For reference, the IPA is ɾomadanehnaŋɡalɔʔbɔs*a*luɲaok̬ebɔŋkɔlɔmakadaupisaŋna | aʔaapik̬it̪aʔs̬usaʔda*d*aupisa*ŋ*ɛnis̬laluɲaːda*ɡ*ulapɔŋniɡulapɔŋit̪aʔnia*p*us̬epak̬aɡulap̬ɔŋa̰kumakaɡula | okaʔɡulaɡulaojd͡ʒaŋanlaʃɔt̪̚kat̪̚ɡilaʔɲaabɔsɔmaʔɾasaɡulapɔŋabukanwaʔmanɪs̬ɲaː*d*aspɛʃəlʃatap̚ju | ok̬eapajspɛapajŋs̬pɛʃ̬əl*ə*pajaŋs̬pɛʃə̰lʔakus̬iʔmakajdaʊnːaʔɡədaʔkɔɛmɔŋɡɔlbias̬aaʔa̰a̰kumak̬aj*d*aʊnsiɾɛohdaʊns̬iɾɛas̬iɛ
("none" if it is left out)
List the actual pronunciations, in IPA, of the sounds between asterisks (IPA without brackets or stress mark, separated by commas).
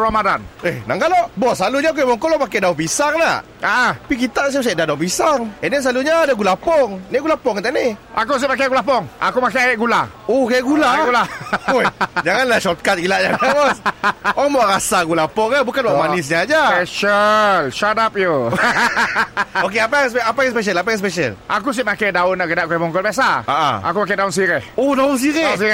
a, d, ŋ, ɡ, k, d͡ʒ, a, d